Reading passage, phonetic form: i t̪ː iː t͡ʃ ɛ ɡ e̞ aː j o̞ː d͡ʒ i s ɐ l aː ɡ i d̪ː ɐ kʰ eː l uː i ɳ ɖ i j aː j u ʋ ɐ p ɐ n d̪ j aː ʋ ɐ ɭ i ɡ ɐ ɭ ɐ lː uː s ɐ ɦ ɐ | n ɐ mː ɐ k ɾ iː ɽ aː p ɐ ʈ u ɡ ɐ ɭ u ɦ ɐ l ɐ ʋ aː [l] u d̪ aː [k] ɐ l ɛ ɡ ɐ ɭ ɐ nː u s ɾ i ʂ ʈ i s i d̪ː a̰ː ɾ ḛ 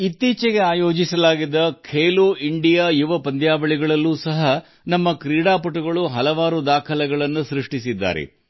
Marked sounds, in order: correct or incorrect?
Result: incorrect, incorrect

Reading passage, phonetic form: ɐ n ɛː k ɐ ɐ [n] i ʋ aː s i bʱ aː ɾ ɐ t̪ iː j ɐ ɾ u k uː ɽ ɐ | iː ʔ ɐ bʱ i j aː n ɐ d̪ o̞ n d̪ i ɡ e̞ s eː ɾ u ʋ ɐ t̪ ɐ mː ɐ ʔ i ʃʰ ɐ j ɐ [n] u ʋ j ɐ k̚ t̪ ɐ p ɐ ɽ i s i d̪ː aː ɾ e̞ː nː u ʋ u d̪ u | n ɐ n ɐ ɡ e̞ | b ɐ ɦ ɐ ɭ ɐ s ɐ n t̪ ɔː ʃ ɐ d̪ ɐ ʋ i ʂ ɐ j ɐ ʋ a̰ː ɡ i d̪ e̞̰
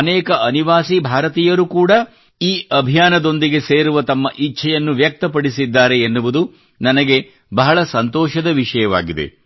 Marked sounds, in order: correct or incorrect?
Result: correct, incorrect

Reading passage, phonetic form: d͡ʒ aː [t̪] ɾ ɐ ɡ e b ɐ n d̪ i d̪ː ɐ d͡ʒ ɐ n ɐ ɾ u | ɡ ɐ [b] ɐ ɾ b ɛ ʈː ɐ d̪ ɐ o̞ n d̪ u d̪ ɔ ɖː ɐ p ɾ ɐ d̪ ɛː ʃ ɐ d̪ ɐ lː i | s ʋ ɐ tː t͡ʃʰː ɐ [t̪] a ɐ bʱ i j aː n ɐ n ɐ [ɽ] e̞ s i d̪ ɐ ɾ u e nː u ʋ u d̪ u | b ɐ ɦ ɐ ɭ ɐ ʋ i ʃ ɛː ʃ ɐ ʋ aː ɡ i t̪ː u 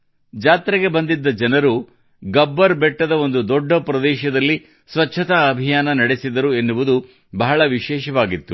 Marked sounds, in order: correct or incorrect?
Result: correct, incorrect, correct, correct

